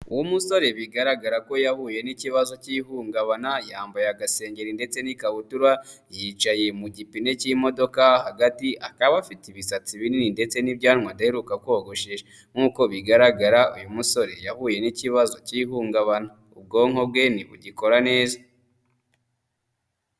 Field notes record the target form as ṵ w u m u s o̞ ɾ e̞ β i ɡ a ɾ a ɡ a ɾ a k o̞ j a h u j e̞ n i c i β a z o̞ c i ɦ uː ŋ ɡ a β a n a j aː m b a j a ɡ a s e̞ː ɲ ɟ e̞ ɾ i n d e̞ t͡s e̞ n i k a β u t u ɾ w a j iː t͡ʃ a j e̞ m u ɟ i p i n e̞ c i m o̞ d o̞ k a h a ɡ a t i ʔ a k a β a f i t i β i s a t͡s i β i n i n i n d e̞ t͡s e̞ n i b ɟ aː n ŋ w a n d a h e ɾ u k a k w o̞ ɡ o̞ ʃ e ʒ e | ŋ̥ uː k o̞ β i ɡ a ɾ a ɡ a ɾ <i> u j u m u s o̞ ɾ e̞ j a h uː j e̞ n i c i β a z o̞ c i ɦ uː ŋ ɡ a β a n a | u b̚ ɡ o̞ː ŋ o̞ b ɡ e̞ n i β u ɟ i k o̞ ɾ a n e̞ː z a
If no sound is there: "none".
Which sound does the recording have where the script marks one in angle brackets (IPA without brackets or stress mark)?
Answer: a